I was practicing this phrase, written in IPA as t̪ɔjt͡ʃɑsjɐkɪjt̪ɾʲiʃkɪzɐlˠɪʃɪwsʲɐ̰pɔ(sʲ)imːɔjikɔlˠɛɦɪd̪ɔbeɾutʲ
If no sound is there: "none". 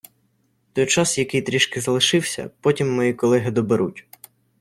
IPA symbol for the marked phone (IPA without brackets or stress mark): tʲ